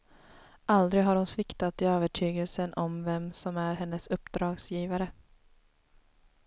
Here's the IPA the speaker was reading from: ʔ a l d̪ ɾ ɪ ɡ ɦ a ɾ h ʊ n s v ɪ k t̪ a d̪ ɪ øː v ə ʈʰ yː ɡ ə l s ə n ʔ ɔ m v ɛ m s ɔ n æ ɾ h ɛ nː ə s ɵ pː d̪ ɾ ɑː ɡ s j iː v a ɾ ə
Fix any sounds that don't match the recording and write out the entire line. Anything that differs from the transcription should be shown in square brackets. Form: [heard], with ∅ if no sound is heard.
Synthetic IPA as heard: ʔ a l d̪ ɾ ɪ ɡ ɦ a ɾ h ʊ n s v ɪ k t̪ a [t̪] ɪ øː v ə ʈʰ yː ɡ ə l s ə n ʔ ɔ m v ɛ m s ɔ [m] æ ɾ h ɛ nː ə s ɵ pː d̪ ɾ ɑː ɡ s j iː v a ɾ ə